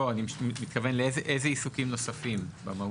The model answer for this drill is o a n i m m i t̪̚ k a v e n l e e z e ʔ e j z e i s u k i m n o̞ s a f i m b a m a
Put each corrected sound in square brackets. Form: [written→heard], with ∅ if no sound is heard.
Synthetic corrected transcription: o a n i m m i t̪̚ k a v e n l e e z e ʔ e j z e i s u k i m n o̞ s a f i m b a m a